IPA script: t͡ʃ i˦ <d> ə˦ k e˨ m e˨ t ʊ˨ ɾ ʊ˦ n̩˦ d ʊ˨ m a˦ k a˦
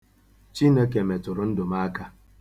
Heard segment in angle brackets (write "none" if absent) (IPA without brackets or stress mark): n